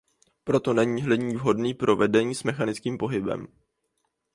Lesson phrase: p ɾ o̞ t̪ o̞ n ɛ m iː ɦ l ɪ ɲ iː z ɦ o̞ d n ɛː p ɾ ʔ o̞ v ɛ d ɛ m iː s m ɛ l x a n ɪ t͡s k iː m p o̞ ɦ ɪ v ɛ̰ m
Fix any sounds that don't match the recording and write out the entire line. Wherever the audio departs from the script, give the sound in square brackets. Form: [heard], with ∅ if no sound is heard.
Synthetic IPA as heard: p ɾ o̞ t̪ o̞ n ɛ [ɲ] iː ɦ l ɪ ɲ iː [v] ɦ o̞ d n [iː] p ɾ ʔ o̞ v ɛ d ɛ [ɲ] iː s m ɛ [∅] x a n ɪ t͡s k iː m p o̞ ɦ ɪ [b] ɛ̰ m